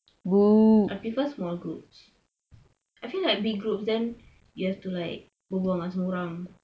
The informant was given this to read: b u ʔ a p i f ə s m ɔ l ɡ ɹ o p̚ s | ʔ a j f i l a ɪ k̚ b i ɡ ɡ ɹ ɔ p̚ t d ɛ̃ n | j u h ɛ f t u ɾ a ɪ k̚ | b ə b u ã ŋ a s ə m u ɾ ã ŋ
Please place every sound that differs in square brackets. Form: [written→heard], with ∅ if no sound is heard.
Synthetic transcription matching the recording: b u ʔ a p i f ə s m ɔ l ɡ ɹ [o→u] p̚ s | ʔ a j f i l a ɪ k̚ b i ɡ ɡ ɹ [ɔ→u] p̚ [t→s] d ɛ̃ n | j u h ɛ f t u [ɾ→l] a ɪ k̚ | b ə b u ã ŋ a s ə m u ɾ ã ŋ

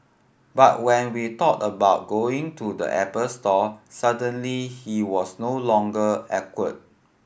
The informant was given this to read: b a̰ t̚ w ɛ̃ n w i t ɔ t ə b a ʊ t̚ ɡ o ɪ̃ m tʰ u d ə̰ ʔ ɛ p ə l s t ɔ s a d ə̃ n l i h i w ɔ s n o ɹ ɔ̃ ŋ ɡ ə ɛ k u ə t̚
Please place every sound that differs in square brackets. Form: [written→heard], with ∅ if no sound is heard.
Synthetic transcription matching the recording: b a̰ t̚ w ɛ̃ n w i t ɔ t ə b a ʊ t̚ ɡ o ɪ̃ [m→ŋ] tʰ u d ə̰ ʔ ɛ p ə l s t ɔ s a d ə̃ n l i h i w ɔ s n o [ɹ→l] ɔ̃ ŋ ɡ ə ɛ k [u→w] ə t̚

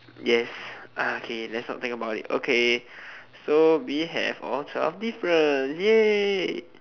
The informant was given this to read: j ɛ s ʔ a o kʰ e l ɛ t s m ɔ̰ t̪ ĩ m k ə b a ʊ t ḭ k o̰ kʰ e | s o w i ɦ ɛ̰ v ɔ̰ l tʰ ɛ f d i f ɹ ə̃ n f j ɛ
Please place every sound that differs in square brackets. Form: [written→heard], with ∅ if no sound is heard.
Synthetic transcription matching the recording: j ɛ s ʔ a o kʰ e l ɛ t s [m→n] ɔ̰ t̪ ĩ [m→ŋ] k ə b a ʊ t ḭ [k→t] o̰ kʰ e | s o w i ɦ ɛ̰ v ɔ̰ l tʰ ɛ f d i f ɹ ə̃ n [f→s] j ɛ

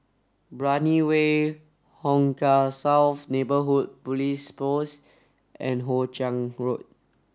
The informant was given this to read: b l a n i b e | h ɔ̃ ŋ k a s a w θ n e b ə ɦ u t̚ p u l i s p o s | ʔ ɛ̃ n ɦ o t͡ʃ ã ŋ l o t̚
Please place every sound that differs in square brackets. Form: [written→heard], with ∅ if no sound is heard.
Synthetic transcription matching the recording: b [l→ɹ] a n i [b→w] e | h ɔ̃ ŋ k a s a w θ n e b ə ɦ u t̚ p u l i s p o s | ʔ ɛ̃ n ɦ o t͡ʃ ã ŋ [l→ɹ] o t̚

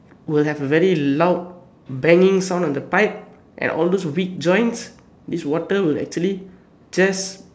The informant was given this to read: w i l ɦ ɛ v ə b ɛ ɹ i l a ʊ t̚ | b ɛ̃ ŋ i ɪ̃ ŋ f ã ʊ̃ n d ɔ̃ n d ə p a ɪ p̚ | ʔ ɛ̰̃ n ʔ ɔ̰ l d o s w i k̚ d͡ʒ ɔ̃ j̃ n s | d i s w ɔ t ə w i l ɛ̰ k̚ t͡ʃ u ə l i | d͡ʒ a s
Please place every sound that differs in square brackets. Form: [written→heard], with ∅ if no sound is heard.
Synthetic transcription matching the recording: w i l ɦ ɛ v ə [b→v] ɛ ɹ i l a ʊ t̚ | b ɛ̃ ŋ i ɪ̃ ŋ [f→s] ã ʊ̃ n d ɔ̃ n d ə p a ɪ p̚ | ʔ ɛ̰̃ n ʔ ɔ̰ l d o s w i k̚ d͡ʒ ɔ̃ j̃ n s | d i s w ɔ t ə w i l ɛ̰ k̚ t͡ʃ u ə l i | d͡ʒ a s

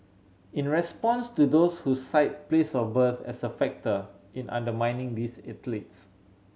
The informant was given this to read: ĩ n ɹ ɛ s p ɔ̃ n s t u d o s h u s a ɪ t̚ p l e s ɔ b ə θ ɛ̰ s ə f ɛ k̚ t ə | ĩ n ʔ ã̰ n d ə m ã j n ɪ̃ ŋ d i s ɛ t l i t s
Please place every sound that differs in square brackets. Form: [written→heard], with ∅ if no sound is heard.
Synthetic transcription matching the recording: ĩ n ɹ ɛ s p ɔ̃ n s t u d o s h u s a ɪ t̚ p l e s ɔ b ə θ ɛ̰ s ə f ɛ k̚ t ə | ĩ n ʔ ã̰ n d ə m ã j n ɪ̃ ŋ d i s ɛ t l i t s

